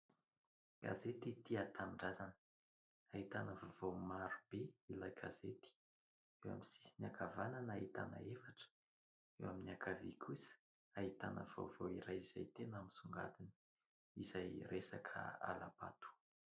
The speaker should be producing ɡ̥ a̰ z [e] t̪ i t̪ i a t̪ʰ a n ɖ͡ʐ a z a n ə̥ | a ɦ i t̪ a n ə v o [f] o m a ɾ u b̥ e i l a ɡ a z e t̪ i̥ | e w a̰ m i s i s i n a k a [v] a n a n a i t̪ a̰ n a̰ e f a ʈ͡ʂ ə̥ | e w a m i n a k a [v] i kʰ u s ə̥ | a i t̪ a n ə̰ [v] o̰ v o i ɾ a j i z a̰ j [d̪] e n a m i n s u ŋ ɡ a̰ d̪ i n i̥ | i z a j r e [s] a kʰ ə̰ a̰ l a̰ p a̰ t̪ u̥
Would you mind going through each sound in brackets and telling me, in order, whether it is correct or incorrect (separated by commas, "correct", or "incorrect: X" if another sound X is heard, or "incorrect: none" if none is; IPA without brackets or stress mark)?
correct, incorrect: v, correct, correct, correct, incorrect: t̪, correct